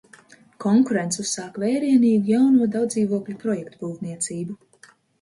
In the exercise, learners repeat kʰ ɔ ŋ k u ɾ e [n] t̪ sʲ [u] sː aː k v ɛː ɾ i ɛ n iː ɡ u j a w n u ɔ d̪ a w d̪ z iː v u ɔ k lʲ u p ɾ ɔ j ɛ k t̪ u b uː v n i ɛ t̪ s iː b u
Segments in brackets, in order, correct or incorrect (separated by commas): correct, correct